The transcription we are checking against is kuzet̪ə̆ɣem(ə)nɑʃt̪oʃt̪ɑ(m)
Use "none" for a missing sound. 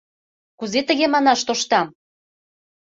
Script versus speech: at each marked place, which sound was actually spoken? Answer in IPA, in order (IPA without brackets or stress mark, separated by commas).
ɑ, m